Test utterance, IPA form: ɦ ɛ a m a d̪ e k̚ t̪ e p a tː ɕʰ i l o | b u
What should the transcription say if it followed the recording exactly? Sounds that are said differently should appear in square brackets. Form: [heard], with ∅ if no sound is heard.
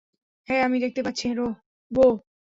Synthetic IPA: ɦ ɛ a m [i] d̪ e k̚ t̪ e p a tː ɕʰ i [ɾ] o | b [o]